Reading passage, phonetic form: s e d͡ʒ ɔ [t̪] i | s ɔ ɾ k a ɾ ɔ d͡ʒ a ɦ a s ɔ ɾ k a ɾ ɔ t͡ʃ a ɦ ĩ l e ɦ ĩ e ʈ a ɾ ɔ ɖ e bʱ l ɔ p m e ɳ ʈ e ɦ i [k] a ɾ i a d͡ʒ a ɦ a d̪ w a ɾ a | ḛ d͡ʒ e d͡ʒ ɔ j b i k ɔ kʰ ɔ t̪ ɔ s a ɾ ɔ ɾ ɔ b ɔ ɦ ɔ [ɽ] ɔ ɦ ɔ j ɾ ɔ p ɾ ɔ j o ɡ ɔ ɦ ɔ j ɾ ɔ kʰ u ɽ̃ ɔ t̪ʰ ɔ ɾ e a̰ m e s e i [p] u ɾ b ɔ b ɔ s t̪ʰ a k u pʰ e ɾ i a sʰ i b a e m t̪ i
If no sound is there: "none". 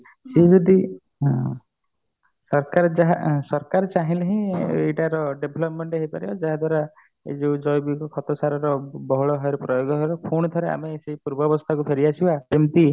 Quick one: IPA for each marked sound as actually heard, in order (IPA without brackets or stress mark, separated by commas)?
d̪, p, ɭ, p